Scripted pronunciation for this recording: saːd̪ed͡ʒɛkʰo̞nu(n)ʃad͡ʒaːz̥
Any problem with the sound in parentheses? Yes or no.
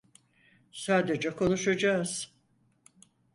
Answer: yes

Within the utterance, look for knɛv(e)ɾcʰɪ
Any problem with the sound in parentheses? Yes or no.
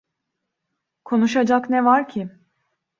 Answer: yes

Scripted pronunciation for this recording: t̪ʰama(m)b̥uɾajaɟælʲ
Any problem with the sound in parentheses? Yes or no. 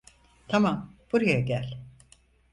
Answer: no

